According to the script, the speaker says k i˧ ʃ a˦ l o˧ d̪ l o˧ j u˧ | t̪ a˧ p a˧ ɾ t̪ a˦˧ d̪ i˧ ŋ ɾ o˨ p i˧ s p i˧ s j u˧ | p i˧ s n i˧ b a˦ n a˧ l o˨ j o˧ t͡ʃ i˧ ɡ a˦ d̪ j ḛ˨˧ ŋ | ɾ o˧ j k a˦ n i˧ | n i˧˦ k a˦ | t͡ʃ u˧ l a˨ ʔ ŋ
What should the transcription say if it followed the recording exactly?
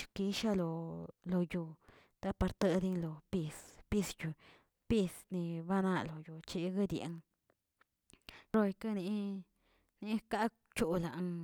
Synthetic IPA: k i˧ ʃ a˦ l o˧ l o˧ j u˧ | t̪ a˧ p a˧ ɾ t̪ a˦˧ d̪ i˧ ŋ l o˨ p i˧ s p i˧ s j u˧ | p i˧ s n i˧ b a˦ n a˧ l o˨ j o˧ t͡ʃ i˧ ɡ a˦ d̪ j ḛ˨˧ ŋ | ɾ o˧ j k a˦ n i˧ | n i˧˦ k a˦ | t͡ʃ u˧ l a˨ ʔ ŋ

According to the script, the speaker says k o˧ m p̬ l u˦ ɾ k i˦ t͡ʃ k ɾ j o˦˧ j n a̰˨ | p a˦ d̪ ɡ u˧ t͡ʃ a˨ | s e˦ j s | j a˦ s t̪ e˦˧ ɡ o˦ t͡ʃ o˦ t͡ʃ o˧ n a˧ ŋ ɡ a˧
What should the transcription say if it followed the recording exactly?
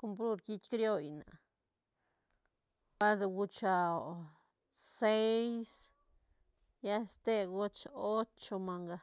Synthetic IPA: k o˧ m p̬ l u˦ ɾ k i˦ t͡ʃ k ɾ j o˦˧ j n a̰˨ | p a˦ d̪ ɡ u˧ t͡ʃ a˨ | s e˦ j s | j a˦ s t̪ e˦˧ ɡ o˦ t͡ʃ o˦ t͡ʃ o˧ m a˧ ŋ ɡ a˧

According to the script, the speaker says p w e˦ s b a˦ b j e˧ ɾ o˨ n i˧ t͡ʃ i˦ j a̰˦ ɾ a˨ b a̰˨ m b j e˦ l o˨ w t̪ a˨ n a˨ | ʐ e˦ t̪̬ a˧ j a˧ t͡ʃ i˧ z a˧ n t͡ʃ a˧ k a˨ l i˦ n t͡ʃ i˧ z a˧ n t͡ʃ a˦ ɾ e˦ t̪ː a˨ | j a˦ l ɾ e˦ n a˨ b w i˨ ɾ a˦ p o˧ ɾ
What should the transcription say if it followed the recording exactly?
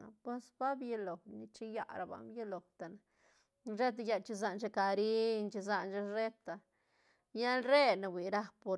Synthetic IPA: p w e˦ s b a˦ b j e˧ l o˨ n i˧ t͡ʃ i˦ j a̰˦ ɾ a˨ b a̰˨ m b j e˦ l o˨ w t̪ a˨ n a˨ | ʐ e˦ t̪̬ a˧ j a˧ t͡ʃ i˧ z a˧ n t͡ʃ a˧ k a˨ ɾ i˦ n t͡ʃ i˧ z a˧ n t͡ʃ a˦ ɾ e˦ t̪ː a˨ | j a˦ l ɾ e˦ n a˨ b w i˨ ɾ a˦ p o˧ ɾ

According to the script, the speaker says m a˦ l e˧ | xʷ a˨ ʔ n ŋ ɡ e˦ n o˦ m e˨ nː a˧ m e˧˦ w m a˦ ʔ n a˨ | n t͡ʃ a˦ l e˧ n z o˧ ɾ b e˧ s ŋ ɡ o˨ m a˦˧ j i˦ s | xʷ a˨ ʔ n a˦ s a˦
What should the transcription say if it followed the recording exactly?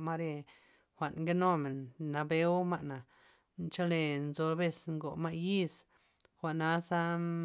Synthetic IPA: m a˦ ɾ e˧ | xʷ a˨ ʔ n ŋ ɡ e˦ n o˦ m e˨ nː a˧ b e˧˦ w m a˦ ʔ n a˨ | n t͡ʃ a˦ l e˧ n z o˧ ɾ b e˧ s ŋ ɡ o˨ m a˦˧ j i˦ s | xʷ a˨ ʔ n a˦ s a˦

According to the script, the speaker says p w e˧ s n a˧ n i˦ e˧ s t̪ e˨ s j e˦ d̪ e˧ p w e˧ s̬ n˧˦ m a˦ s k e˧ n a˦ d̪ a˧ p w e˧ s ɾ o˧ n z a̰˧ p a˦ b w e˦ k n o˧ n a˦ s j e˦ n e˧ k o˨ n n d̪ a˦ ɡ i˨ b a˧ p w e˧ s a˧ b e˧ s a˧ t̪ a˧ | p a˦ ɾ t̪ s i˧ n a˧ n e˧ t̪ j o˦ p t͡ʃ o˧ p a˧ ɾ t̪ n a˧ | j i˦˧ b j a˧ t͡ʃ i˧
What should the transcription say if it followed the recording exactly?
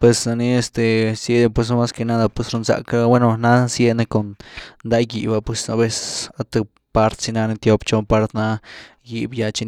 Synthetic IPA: p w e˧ s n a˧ n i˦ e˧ s t̪ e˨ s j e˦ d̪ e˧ p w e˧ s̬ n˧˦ m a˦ s k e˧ n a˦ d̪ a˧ p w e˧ s ɾ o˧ n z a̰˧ k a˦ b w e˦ n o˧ n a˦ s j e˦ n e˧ k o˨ n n d̪ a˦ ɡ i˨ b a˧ p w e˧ s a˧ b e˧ s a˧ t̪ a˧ | p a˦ ɾ t̪ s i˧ n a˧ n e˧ t̪ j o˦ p t͡ʃ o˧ p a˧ ɾ t̪ n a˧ | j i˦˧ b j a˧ t͡ʃ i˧

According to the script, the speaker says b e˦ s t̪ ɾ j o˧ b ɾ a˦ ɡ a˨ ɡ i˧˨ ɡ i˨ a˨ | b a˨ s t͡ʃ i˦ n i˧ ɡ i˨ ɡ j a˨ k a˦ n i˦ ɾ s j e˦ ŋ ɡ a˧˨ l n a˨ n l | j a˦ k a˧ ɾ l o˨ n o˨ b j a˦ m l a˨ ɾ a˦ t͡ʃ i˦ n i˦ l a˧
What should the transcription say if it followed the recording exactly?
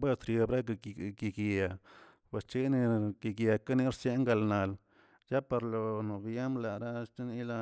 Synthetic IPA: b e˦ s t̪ ɾ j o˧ b ɾ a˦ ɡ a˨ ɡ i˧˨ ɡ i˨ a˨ | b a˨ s t͡ʃ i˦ n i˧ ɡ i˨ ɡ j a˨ k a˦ n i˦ ɾ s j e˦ ŋ ɡ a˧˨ l n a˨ l | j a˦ p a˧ ɾ l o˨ n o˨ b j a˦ m l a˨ ɾ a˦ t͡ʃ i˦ n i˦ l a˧

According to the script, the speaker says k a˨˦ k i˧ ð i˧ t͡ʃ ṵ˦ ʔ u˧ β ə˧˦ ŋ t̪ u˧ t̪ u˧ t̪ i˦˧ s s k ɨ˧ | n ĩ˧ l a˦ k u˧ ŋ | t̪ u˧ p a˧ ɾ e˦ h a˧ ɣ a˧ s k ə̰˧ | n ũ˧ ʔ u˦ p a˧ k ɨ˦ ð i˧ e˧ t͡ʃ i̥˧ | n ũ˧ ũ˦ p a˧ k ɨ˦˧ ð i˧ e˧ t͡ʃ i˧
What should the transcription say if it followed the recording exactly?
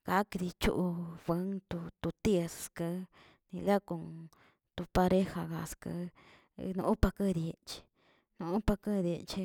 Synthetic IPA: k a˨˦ k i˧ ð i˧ t͡ʃ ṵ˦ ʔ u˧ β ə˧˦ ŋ t̪ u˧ t̪ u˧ t̪ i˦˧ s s k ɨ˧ | n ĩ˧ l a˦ k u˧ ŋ | t̪ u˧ p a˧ ɾ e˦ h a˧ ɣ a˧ s k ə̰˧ | n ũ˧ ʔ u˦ p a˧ k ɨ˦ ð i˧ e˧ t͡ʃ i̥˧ | n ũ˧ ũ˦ p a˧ k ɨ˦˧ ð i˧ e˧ t͡ʃ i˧

